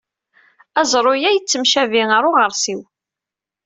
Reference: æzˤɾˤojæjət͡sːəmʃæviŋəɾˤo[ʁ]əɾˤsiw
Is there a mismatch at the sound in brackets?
no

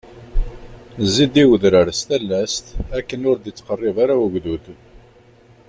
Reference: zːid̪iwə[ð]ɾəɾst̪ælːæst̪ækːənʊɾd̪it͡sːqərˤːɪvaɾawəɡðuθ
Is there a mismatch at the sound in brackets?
no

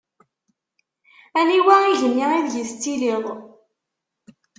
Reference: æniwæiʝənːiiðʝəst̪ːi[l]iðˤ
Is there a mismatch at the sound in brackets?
no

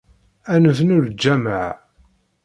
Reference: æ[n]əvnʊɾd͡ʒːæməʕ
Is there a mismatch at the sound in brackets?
no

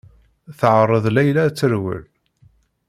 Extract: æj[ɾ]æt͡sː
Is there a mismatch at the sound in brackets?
yes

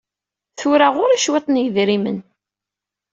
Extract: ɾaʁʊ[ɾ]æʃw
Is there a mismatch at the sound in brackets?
no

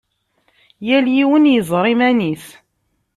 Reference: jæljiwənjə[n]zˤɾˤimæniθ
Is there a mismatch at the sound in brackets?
yes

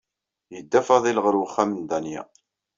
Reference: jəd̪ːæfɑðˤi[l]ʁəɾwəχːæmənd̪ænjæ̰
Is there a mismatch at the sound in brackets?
no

